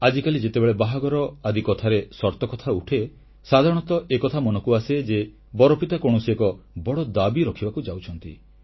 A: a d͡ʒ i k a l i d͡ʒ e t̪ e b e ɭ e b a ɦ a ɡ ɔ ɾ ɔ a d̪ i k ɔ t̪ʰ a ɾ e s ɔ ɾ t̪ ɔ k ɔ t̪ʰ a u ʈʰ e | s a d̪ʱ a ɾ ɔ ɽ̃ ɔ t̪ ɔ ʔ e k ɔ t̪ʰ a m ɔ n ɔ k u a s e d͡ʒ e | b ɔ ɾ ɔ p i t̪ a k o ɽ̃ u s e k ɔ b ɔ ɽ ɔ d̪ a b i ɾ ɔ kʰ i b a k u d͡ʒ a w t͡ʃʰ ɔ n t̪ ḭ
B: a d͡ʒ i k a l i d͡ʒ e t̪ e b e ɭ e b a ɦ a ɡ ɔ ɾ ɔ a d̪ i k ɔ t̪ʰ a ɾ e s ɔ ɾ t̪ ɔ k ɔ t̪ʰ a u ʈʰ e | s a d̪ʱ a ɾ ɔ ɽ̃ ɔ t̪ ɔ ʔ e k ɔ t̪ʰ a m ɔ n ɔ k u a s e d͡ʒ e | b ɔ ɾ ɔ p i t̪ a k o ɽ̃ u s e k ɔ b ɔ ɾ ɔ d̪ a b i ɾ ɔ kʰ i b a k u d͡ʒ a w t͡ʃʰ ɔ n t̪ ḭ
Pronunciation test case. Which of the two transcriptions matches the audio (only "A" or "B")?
A